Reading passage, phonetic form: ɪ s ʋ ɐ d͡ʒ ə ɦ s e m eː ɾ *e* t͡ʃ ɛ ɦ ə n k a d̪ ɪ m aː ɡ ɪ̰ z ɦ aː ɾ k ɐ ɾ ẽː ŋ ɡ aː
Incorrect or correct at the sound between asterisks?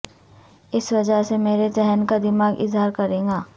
correct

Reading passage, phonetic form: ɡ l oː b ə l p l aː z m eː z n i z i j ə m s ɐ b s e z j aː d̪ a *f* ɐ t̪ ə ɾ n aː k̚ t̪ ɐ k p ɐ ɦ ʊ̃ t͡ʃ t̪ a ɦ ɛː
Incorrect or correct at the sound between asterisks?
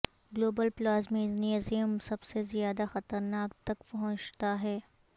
incorrect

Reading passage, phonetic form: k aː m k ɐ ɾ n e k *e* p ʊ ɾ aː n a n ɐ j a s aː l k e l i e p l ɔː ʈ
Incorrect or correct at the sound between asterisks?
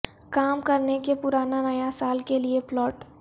correct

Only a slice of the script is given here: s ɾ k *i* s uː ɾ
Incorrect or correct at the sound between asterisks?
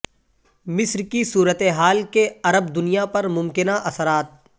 correct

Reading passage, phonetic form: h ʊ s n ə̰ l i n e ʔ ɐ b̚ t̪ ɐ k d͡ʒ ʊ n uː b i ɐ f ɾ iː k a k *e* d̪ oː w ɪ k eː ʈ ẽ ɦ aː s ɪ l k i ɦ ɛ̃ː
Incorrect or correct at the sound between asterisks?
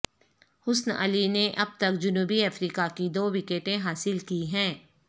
incorrect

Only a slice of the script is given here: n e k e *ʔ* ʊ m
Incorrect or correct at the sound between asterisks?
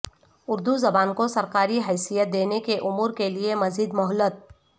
correct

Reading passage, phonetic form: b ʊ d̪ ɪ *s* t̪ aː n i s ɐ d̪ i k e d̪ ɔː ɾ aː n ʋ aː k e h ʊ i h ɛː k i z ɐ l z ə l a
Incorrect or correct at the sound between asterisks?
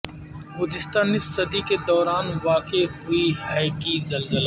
correct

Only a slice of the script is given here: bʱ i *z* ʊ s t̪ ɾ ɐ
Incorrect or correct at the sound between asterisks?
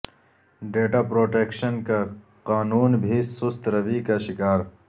incorrect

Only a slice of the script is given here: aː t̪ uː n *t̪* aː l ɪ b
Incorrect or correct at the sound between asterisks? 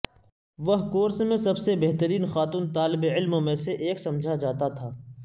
correct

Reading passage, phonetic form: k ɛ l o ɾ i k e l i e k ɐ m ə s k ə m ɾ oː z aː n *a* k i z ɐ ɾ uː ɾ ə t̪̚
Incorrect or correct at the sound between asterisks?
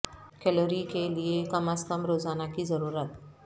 correct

